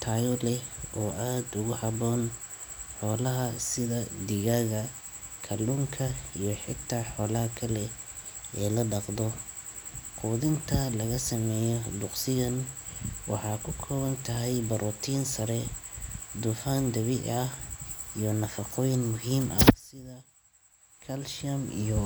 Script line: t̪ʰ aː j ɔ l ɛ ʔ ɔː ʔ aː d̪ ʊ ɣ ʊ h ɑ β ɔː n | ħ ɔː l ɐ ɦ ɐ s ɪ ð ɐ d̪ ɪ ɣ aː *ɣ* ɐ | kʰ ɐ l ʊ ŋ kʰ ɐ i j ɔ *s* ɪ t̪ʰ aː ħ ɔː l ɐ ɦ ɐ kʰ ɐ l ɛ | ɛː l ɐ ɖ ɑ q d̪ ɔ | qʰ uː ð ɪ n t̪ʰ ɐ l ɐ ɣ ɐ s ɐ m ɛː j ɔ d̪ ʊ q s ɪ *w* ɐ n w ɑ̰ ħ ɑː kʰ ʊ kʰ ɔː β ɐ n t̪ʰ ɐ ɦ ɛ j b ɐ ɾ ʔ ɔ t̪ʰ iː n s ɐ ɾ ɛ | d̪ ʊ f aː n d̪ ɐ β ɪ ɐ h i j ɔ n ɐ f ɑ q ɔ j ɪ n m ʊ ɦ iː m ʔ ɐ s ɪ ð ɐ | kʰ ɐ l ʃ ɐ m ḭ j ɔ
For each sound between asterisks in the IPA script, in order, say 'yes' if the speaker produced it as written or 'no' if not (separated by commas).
yes, no, no